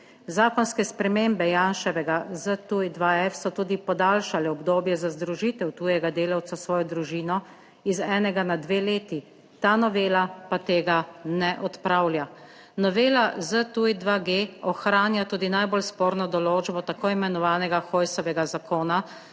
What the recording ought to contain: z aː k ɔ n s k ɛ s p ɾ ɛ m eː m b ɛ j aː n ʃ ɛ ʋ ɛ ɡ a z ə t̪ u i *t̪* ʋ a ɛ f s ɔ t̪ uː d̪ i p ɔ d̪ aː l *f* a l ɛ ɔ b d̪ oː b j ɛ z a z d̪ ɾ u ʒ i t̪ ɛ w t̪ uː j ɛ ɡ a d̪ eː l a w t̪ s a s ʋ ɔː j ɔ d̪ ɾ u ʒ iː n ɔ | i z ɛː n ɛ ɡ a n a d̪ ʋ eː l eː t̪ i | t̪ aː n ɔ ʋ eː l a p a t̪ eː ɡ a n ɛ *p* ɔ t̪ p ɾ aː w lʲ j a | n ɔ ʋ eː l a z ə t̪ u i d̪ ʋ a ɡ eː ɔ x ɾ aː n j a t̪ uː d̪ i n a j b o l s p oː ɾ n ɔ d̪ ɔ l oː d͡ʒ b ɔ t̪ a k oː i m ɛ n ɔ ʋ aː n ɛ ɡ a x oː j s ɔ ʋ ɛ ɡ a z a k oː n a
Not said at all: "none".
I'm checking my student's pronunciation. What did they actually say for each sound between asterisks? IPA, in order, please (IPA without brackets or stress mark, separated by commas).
d̪, ʃ, ʔ